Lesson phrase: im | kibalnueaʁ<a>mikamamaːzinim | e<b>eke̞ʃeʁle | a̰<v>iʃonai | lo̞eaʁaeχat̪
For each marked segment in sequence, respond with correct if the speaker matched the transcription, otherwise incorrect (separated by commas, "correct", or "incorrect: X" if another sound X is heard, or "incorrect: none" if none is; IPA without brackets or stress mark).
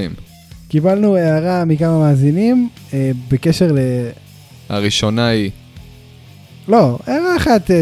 correct, correct, incorrect: ʁ